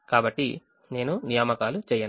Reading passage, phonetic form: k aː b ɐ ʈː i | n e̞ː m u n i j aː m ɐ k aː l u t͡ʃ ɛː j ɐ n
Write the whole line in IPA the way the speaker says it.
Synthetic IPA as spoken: k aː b ɐ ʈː i | n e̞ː n u n i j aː m ɐ k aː l u t͡ʃ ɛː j ɐ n